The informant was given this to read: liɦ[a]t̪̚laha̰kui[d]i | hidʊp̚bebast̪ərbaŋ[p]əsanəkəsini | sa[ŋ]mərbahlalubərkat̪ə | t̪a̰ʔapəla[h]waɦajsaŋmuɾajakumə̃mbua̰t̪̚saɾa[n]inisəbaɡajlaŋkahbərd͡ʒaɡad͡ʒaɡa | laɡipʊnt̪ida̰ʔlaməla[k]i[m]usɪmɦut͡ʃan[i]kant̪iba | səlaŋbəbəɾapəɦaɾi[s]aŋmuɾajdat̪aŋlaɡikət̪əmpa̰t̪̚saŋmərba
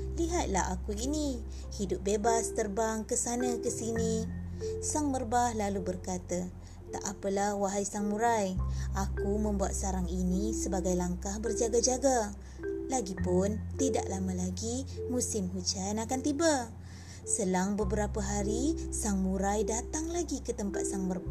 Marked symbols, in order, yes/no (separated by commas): yes, no, no, yes, yes, no, no, yes, no, yes